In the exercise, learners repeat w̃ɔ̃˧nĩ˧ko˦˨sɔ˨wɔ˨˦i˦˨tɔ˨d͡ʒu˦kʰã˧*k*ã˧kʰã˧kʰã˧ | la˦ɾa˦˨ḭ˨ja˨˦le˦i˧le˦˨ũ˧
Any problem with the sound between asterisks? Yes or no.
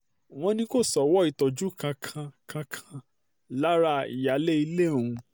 yes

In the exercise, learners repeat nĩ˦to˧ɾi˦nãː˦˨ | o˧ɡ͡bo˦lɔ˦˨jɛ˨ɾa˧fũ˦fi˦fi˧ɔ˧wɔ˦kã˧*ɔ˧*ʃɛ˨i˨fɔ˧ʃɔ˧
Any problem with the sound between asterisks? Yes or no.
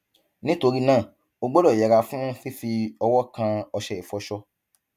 no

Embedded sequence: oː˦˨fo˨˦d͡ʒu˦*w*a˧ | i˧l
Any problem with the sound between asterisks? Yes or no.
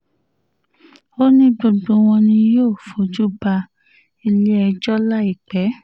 yes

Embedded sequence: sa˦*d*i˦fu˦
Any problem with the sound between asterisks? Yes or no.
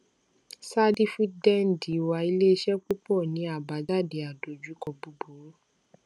no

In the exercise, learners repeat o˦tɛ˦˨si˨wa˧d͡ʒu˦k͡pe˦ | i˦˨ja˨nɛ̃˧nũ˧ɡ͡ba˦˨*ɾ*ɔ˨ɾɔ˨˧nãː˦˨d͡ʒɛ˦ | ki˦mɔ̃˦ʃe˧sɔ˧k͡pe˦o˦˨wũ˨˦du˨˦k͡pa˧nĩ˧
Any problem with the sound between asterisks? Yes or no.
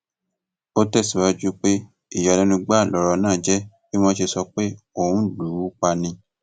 yes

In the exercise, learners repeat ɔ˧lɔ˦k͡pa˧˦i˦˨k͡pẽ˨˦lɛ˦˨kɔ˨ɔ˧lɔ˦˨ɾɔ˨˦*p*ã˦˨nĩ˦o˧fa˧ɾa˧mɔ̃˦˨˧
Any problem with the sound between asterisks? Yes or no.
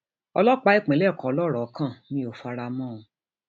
yes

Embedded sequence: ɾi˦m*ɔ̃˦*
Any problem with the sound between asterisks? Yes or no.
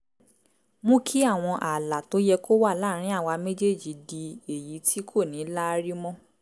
no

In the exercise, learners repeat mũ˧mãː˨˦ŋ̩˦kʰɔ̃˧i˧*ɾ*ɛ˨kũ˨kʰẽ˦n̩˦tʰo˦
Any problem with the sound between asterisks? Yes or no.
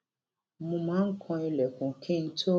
yes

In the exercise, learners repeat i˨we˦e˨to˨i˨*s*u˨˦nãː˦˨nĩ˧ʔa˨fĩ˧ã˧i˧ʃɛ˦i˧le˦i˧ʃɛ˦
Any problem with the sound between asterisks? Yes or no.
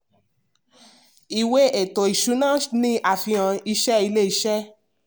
yes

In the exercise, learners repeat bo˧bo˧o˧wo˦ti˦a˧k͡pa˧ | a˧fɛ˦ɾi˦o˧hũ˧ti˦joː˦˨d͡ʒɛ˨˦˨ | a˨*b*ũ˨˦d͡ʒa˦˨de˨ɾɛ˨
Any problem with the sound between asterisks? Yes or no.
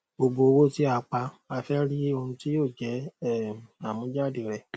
yes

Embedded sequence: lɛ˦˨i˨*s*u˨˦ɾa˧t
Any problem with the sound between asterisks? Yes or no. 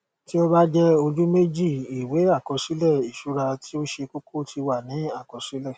yes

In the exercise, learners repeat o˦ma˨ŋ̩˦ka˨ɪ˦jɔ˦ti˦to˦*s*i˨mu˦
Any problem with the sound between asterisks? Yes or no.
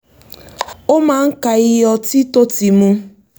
yes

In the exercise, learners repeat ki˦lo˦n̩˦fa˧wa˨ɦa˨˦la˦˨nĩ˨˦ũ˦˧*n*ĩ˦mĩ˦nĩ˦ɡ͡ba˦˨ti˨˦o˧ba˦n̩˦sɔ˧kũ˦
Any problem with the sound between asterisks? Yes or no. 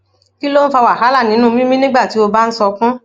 yes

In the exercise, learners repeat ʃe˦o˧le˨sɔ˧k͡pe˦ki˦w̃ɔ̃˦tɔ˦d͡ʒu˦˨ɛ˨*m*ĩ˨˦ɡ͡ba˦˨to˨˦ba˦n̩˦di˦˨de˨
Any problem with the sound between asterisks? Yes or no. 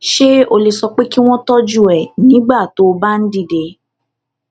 yes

